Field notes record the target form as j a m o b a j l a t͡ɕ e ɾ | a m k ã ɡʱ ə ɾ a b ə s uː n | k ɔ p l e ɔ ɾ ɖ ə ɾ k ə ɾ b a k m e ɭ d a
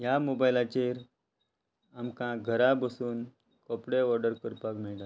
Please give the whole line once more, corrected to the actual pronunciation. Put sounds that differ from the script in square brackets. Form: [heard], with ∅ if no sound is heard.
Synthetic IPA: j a m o b a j l a t͡ɕ e ɾ | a m k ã ɡʱ ə ɾ a b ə s uː n | k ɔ p [ɽ] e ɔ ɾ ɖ ə ɾ k ə ɾ [p] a k m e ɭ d a